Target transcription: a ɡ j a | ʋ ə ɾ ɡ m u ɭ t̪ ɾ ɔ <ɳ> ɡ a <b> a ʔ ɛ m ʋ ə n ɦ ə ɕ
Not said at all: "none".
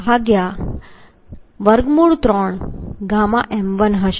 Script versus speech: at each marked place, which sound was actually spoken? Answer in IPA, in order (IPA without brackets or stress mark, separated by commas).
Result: ɳ, m